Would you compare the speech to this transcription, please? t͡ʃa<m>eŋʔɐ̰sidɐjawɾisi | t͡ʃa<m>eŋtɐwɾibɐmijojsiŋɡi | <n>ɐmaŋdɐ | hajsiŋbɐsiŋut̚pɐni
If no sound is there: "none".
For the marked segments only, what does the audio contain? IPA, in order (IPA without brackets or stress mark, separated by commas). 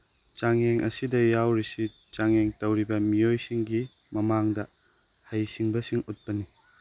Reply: ŋ, ŋ, m